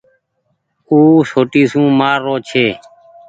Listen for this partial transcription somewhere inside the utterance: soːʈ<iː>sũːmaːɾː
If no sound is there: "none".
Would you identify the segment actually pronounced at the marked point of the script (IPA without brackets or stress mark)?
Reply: iː